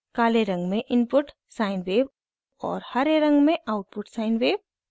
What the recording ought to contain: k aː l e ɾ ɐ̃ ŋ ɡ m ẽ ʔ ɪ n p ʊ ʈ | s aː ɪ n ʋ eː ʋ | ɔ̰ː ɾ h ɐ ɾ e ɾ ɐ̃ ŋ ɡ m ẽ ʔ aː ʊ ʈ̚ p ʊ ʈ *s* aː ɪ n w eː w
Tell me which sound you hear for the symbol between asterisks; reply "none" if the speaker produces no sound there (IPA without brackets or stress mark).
s